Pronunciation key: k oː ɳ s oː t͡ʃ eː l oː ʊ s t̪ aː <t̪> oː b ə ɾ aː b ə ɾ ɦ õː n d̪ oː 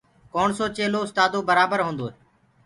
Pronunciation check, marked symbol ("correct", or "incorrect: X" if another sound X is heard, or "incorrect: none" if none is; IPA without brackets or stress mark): incorrect: d̪